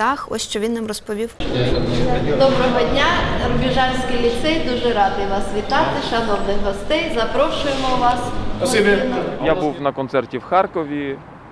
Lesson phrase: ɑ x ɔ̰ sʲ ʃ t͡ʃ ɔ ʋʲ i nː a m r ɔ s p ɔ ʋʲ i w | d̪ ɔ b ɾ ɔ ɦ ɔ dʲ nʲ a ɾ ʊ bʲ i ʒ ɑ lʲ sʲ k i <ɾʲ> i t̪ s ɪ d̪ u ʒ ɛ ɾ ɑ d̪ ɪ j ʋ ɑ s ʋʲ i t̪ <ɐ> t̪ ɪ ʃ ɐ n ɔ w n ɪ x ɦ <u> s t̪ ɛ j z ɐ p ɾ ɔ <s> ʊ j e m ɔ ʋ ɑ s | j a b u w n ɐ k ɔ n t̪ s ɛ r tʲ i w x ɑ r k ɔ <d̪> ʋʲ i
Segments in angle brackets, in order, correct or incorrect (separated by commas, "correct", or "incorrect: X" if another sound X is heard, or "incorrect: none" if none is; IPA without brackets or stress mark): incorrect: lʲ, incorrect: ɑ, incorrect: ɔ, incorrect: ʃ, incorrect: none